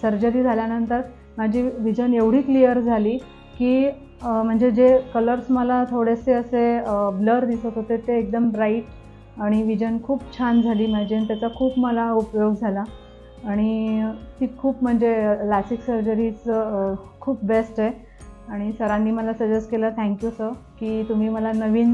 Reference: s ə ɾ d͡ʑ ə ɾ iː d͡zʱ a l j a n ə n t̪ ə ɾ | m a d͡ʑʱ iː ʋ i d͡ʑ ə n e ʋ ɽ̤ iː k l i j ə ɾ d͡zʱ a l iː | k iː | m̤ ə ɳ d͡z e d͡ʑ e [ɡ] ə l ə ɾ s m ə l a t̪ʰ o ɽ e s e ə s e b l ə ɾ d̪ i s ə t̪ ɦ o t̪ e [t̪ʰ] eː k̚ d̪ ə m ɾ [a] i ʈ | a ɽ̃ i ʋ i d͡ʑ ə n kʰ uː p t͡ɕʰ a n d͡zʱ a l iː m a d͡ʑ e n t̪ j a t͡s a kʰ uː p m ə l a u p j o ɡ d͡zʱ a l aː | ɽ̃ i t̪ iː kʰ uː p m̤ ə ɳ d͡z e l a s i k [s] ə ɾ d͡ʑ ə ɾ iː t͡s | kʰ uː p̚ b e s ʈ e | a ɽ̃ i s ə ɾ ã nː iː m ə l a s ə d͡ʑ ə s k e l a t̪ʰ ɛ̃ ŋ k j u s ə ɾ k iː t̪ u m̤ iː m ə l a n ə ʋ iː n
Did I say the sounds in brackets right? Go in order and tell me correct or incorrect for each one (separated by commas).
incorrect, incorrect, correct, correct